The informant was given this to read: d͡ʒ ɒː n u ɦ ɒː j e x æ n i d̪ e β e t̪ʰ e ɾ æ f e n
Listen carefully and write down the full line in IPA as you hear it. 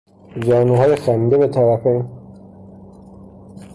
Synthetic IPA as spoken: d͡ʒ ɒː n u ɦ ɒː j e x æ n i d̪ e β e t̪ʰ æ ɾ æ f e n